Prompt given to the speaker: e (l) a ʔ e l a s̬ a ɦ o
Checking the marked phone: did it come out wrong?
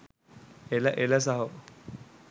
no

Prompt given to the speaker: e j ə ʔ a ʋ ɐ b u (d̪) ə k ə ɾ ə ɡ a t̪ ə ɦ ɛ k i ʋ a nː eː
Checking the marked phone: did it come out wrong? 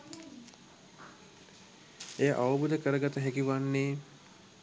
no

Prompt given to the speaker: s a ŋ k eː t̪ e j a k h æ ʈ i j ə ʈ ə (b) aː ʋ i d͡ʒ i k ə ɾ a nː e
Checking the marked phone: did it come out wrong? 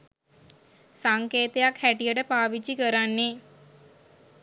yes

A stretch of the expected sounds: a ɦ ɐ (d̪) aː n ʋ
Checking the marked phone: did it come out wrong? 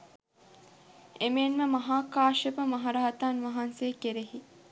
yes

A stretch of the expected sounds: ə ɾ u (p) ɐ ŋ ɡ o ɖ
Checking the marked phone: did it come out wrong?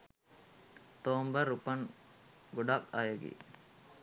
no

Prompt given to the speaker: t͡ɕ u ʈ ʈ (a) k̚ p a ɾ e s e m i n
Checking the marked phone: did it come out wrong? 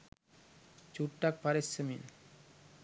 no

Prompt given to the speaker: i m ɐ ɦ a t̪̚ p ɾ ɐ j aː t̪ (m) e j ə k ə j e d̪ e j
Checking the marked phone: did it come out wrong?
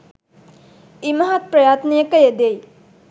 yes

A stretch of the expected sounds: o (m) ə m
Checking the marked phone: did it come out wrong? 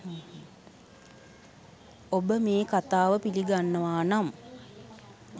yes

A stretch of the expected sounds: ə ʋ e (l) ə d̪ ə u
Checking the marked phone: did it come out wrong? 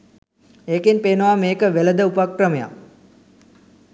no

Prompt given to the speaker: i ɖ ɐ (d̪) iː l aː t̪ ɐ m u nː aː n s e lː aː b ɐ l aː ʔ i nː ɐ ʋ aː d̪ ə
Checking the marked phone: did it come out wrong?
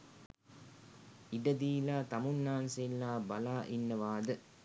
no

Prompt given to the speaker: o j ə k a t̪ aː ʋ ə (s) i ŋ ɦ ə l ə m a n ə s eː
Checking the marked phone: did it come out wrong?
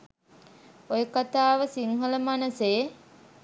no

